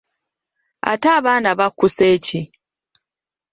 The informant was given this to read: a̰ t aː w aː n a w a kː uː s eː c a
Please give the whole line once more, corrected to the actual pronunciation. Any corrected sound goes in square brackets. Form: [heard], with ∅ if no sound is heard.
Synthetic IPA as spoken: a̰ t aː [β] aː n a [β] a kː [u] s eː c [i]